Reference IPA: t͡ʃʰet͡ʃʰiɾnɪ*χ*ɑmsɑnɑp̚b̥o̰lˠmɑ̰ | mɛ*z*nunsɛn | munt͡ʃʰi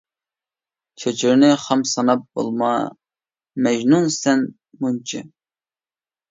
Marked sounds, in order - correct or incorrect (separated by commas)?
correct, incorrect